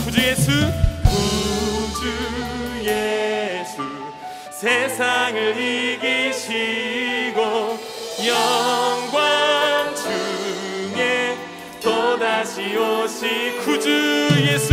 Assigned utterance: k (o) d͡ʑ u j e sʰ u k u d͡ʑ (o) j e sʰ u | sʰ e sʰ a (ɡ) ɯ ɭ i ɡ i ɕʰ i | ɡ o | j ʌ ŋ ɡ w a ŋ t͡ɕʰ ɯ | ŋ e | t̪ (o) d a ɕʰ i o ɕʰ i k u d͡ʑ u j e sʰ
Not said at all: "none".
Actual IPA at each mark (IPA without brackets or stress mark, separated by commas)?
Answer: u, u, ŋ, o